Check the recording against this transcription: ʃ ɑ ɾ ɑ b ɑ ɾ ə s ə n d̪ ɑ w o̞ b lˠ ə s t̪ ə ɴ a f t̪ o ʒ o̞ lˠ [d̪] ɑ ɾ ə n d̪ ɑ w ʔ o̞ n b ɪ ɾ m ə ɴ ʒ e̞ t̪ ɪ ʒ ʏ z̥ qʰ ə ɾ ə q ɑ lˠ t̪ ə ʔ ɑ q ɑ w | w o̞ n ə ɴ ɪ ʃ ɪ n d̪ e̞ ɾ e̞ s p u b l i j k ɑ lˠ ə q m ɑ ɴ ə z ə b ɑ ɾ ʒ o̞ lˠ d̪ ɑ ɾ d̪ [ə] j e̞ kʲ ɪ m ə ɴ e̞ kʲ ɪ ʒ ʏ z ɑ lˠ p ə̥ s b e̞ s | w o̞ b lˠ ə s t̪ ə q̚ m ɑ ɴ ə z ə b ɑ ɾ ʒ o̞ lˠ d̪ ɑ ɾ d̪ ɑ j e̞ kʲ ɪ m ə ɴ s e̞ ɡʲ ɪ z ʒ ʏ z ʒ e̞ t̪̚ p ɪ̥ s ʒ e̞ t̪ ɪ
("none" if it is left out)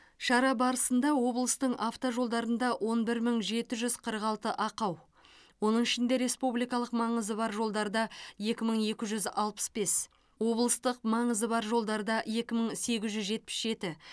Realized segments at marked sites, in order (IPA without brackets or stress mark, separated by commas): d̪, ɑ